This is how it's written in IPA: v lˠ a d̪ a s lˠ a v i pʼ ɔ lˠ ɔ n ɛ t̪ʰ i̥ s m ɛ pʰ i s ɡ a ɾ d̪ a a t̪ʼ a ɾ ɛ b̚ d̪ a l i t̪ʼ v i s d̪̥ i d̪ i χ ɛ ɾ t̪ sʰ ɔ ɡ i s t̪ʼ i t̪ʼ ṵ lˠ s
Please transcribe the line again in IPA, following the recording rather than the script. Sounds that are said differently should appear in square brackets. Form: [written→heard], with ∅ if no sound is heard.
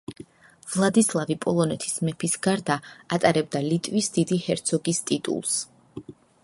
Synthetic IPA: v lˠ a d̪ [a→i] s lˠ a v i pʼ ɔ lˠ ɔ n ɛ t̪ʰ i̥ s m ɛ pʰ i s ɡ a ɾ d̪ a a t̪ʼ a ɾ ɛ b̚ d̪ a l i t̪ʼ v i s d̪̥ i d̪ i [χ→h] ɛ ɾ t̪ sʰ ɔ ɡ i s t̪ʼ i t̪ʼ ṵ lˠ s